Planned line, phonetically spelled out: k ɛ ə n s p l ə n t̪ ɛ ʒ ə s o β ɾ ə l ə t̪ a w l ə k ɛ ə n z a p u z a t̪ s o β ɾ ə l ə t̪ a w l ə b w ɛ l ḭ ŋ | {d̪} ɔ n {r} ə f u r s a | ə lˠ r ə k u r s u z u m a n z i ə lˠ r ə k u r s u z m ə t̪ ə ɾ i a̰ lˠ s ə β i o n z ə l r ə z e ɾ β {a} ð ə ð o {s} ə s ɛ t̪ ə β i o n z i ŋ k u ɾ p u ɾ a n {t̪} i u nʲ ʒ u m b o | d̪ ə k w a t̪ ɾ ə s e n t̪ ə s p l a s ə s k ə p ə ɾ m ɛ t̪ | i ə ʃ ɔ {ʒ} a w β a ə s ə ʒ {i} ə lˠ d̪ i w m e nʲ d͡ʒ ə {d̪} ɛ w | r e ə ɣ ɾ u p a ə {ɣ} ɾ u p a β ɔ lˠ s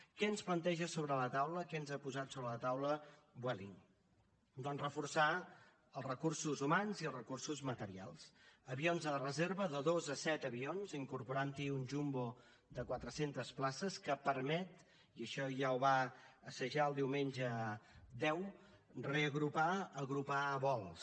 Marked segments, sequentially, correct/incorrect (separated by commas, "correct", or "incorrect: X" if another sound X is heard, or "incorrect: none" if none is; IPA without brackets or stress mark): correct, correct, incorrect: ə, incorrect: z, correct, correct, incorrect: a, correct, correct